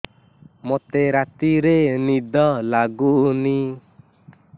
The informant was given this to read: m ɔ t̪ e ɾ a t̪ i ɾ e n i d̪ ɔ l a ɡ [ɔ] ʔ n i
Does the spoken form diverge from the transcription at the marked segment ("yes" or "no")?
yes